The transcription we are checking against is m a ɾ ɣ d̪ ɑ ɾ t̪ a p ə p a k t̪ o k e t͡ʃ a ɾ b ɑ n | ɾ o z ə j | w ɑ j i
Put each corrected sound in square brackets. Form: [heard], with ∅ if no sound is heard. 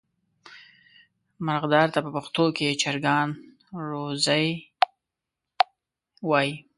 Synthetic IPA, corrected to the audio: m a ɾ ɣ d̪ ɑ ɾ t̪ a p ə p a [x] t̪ o k e t͡ʃ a ɾ [ɡ] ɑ n | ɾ o z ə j | w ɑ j i